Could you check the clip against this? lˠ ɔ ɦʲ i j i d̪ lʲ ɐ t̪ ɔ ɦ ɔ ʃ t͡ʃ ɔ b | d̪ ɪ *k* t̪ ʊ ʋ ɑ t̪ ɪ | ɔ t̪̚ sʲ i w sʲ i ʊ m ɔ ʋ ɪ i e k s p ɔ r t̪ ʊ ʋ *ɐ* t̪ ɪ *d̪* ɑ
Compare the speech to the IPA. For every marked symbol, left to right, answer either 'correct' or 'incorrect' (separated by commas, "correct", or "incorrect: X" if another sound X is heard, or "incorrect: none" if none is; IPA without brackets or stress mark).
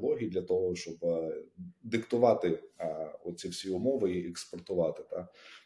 correct, incorrect: ɑ, incorrect: t̪